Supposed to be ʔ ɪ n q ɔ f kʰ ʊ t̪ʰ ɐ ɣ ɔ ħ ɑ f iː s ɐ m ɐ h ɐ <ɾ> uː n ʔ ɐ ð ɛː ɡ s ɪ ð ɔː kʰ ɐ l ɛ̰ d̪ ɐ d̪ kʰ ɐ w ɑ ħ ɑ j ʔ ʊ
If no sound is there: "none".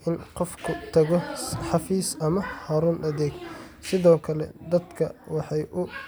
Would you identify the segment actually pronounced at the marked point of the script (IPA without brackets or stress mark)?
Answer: ɾ